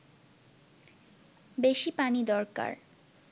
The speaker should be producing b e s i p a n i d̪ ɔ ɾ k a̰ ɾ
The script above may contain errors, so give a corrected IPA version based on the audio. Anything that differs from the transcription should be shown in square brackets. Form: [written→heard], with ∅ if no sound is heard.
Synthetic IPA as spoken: b e [s→ʃ] i p a n i d̪ ɔ ɾ k a̰ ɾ